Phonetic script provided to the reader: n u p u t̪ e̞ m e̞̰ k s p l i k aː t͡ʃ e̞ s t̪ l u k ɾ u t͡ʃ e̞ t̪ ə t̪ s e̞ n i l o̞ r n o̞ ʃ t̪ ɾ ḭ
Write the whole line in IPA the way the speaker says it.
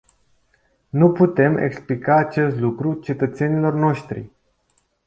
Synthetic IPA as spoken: n u p u t̪ e̞ m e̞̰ k s p l i k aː t͡ʃ e̞ s t̪ l u k ɾ u t͡ʃ e̞ t̪ ə t̪ s e̞ n i l o̞ r n o̞ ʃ t̪ ɾ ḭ